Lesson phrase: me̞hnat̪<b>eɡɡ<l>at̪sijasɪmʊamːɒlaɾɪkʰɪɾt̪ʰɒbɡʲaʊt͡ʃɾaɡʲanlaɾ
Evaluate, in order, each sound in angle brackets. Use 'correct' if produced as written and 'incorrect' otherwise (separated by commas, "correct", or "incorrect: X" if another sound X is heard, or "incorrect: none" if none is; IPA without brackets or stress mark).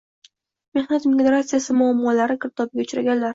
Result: incorrect: m, incorrect: ɾ